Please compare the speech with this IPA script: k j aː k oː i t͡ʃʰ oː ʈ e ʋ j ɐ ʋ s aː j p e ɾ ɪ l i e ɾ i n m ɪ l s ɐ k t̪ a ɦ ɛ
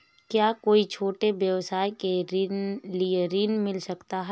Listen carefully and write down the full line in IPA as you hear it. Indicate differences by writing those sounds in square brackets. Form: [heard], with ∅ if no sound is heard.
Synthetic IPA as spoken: k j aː k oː i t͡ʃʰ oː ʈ e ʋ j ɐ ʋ s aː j [k] e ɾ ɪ l i e ɾ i n m ɪ l s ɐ k t̪ a ɦ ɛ